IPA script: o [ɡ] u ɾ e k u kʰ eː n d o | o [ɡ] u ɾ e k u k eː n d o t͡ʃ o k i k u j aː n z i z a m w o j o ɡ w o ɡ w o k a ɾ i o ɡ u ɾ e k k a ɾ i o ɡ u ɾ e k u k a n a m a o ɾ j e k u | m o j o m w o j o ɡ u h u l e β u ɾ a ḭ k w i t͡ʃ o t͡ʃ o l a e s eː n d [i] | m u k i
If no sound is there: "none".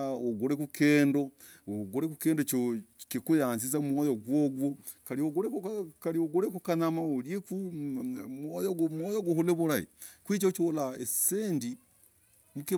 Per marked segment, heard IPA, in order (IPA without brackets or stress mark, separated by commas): ɡ, ɡ, i